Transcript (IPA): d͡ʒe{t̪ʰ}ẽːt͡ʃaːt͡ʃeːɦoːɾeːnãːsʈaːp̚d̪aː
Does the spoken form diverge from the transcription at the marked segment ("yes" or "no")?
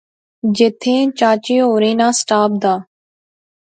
no